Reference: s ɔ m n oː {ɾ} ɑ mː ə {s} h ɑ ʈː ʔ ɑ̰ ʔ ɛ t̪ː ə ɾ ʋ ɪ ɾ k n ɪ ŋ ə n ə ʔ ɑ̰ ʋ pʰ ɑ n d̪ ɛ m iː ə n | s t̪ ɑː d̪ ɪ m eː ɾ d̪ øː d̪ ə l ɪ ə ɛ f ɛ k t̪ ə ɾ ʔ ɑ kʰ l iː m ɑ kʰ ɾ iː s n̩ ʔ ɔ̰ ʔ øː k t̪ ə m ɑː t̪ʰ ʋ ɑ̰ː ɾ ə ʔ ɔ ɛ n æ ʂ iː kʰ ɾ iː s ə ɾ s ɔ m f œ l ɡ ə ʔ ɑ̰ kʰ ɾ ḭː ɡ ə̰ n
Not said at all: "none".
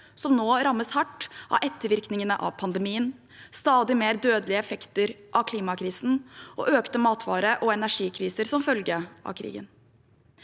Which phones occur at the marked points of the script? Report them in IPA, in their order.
ɾ, s

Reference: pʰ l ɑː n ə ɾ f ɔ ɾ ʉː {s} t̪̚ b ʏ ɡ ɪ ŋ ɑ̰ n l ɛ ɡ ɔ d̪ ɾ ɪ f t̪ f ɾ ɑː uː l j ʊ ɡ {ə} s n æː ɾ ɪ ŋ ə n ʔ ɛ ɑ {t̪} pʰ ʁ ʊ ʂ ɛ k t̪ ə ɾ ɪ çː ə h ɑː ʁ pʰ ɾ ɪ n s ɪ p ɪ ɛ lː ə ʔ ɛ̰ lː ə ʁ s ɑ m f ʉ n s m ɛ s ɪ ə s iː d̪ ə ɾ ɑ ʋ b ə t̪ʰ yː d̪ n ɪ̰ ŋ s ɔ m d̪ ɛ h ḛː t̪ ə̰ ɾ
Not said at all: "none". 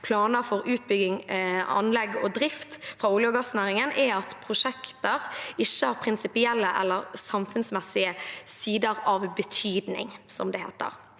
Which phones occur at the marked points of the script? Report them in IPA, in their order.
none, ɑ, t̪

